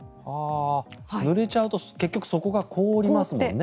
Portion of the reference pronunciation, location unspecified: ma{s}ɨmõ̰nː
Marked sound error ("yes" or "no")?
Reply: no